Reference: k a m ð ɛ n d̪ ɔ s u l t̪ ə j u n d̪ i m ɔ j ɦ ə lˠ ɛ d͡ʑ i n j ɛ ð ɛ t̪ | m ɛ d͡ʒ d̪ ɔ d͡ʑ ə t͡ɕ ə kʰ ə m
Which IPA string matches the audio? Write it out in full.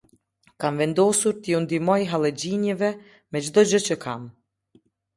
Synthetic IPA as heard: k a m v ɛ n d̪ ɔ s u ɾ t̪ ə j u n d̪ i m ɔ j ɦ a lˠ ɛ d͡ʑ i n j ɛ v ɛ | m ɛ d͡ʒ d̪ ɔ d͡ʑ ə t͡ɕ ə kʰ a m